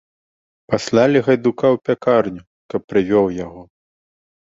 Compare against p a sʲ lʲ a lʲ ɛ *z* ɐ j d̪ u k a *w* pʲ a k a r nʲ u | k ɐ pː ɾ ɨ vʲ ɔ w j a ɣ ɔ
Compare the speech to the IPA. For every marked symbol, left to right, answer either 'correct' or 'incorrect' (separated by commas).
incorrect, correct